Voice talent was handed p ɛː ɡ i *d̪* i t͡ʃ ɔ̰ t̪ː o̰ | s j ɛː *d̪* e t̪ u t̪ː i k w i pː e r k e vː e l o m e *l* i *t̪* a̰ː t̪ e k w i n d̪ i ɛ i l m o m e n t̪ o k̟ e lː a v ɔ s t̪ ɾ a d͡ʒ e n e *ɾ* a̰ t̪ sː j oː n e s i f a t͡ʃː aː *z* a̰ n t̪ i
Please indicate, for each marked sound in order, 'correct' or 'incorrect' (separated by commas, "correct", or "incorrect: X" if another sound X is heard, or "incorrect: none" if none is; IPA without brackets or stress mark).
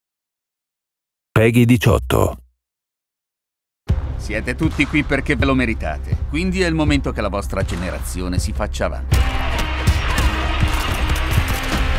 correct, incorrect: t̪, incorrect: ɾ, correct, correct, incorrect: v